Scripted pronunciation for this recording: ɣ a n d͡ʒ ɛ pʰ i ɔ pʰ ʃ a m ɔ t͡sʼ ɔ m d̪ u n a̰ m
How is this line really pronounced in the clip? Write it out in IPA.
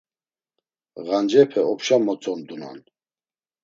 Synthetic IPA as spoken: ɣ a n d͡ʒ ɛ pʰ ɛ ɔ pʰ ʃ a m ɔ t͡sʼ ɔ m d̪ u n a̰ n